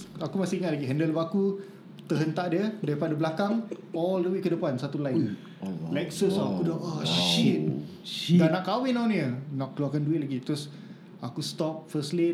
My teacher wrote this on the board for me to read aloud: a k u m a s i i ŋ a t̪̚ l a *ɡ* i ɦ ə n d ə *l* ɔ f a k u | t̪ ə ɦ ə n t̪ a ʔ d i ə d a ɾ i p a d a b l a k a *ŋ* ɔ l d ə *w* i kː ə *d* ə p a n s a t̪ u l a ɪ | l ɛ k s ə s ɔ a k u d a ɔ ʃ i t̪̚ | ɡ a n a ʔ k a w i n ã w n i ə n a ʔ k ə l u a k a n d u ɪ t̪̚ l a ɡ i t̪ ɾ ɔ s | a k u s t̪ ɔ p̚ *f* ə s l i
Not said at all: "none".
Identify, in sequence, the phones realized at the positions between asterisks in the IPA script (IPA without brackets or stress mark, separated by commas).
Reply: ɡ, l, ŋ, w, d, f